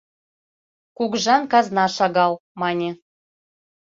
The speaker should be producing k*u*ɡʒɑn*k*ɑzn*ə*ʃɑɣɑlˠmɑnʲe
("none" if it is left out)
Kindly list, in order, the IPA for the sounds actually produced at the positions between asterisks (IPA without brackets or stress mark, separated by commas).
u, k, ɑ